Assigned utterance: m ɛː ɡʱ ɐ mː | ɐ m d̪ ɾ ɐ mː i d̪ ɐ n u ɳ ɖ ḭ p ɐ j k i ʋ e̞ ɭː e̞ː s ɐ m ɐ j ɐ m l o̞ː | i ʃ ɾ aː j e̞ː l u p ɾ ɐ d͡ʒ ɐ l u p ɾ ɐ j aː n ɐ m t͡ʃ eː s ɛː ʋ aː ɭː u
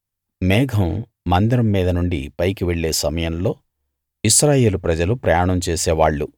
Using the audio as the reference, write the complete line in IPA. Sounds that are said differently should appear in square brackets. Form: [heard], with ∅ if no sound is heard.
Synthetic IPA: m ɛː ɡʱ ɐ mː | ɐ [n] d̪ ɾ ɐ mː [iː] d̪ ɐ n u ɳ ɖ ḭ p ɐ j k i ʋ e̞ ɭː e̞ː s ɐ m ɐ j ɐ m l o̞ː | i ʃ ɾ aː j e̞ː l u p ɾ ɐ d͡ʒ ɐ l u p ɾ ɐ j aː [ɳ] ɐ m t͡ʃ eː s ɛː ʋ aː ɭː u